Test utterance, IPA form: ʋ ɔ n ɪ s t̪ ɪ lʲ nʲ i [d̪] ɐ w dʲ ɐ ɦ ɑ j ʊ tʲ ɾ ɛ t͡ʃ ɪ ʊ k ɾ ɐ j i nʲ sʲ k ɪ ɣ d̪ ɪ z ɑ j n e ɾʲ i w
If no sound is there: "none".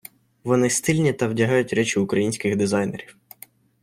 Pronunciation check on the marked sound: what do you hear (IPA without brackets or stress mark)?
t̪